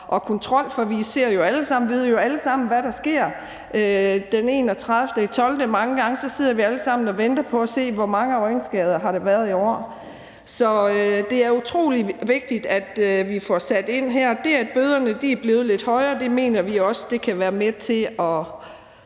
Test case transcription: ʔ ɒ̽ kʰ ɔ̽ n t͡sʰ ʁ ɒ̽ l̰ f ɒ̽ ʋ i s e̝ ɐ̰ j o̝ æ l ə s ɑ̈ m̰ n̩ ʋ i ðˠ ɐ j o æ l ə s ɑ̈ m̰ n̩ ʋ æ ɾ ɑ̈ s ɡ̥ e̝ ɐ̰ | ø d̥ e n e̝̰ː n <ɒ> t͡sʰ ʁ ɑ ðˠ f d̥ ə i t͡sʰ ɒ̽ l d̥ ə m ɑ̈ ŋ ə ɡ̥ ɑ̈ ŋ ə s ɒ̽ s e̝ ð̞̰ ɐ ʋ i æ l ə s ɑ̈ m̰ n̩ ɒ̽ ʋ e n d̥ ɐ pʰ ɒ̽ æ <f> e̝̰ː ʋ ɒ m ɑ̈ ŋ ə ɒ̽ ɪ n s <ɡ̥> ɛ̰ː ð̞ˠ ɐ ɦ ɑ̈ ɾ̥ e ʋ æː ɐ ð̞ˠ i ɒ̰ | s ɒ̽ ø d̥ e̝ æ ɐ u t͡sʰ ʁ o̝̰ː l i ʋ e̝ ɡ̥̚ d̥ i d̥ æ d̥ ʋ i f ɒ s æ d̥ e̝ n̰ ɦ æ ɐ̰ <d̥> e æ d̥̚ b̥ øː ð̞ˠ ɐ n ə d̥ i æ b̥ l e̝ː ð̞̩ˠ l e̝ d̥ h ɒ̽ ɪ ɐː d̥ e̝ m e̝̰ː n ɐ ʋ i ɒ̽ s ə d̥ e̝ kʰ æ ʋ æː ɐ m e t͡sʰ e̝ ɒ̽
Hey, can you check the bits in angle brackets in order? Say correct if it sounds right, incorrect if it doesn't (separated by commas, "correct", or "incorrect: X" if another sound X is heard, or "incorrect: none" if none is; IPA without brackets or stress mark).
correct, incorrect: s, correct, correct